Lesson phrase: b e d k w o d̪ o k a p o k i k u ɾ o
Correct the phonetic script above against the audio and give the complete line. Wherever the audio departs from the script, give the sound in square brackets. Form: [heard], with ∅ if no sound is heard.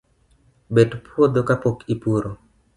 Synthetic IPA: b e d [p] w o d̪ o k a p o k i [p] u ɾ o